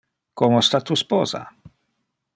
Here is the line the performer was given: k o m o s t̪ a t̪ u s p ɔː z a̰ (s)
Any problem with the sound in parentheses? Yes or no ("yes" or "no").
yes